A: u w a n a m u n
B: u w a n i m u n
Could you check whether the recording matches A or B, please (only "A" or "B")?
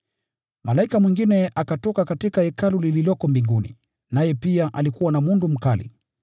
A